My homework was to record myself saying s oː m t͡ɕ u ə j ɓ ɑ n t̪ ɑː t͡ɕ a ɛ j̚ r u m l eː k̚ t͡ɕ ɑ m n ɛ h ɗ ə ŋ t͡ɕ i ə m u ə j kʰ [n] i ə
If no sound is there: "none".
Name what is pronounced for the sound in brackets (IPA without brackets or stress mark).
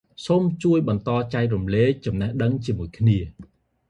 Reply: n